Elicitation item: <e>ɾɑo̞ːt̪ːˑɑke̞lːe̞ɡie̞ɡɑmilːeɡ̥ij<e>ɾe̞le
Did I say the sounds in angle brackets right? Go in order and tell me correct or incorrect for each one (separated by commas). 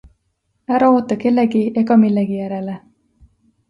incorrect, incorrect